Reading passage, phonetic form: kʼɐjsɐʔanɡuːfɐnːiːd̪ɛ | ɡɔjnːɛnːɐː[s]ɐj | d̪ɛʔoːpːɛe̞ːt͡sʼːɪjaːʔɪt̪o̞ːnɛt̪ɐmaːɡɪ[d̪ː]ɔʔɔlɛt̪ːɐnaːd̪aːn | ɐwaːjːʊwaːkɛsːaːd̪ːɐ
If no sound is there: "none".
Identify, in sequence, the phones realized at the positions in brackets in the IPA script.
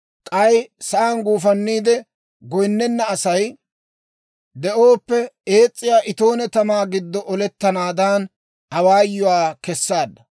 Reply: s, d̪ː

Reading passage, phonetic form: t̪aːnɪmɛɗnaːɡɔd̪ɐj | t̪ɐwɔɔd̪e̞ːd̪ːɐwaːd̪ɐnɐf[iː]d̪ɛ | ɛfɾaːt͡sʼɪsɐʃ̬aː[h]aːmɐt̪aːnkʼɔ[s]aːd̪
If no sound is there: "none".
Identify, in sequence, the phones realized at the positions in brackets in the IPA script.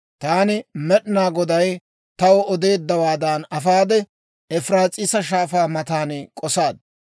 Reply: aː, f, s

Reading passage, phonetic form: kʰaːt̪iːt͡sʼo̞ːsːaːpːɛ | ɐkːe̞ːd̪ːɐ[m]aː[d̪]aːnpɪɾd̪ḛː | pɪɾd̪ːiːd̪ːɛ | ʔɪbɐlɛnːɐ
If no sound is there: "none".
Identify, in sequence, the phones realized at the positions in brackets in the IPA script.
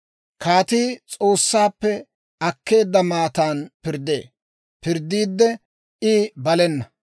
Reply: m, t̪

